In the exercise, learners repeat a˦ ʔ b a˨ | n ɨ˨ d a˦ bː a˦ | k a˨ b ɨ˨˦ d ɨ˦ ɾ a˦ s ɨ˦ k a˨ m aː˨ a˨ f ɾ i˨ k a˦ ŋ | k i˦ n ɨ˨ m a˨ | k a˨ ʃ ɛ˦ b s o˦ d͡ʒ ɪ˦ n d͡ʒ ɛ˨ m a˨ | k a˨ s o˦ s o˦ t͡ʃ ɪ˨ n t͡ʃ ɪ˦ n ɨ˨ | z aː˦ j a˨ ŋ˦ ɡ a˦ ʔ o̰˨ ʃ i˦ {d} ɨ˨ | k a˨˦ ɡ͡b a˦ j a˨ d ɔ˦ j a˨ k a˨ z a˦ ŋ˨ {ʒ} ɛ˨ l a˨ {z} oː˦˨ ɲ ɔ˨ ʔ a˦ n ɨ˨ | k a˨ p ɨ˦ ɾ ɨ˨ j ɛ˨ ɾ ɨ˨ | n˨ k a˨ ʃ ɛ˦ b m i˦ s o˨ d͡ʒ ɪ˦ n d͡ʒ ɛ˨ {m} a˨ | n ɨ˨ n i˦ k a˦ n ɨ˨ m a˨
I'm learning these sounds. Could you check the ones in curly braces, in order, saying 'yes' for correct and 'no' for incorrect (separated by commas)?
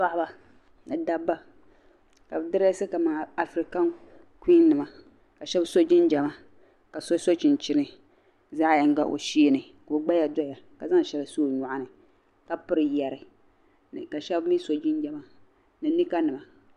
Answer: no, no, no, yes